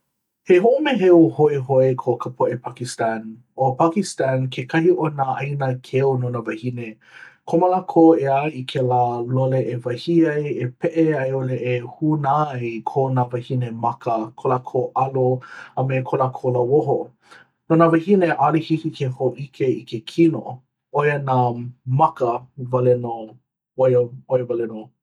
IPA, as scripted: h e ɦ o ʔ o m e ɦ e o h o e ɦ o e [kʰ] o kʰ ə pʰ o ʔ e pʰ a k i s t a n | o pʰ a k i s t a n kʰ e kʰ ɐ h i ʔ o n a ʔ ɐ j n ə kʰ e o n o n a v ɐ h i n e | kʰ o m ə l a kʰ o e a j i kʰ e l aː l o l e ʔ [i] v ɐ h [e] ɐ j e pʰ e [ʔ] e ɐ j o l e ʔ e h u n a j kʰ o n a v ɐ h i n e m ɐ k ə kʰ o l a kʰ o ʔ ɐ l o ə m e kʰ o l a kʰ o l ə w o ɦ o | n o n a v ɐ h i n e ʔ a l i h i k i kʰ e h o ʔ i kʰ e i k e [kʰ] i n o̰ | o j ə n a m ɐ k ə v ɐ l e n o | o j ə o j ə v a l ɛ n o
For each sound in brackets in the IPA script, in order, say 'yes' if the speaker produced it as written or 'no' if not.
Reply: yes, no, no, yes, yes

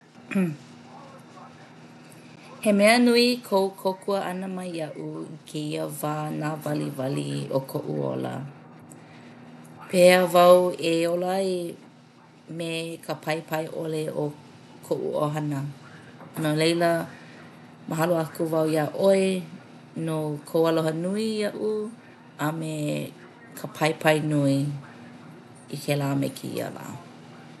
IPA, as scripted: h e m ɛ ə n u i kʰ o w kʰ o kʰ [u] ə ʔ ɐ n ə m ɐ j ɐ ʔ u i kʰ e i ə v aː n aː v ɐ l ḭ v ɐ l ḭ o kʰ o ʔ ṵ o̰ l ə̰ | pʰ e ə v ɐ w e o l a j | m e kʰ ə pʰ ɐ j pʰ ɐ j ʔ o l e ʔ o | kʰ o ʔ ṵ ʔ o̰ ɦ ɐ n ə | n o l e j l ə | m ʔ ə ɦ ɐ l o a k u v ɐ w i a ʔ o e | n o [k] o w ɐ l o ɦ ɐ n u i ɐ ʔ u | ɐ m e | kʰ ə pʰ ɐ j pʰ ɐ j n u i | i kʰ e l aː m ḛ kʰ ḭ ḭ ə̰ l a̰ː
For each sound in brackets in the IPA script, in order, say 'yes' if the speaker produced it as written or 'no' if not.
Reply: yes, no

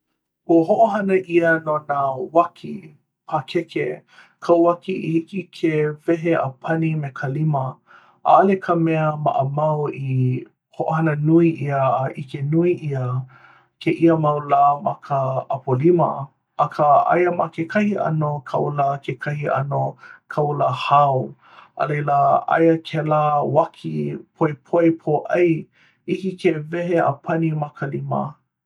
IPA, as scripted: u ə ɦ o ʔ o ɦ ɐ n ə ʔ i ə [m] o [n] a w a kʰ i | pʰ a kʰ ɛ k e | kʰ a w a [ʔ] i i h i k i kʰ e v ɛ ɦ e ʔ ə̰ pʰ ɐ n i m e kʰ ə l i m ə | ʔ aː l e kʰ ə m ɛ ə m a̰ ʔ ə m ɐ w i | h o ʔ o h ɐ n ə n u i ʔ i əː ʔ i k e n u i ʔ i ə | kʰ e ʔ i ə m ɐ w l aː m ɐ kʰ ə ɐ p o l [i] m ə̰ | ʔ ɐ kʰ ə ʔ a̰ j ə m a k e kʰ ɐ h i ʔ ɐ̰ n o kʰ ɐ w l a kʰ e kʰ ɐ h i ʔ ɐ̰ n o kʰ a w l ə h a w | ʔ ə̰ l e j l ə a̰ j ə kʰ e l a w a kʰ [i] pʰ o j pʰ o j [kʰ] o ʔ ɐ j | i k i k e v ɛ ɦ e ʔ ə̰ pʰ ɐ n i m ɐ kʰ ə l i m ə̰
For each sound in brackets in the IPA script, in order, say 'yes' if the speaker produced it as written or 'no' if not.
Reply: no, yes, no, yes, yes, no

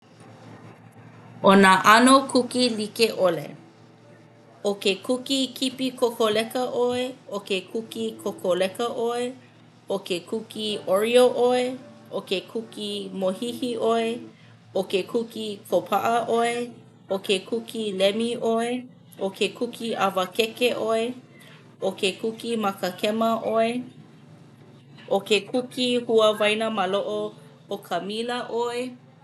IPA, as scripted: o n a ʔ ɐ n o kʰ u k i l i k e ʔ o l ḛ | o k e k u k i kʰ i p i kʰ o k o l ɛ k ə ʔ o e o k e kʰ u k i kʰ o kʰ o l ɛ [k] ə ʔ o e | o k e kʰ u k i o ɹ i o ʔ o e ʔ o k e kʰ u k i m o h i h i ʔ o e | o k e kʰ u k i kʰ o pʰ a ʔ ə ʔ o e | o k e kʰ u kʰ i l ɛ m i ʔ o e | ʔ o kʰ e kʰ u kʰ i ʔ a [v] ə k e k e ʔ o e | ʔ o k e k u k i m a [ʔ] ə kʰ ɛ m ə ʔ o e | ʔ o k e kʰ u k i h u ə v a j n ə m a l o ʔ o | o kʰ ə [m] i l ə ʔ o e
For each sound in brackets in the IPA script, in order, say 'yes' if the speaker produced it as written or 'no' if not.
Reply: yes, yes, no, yes

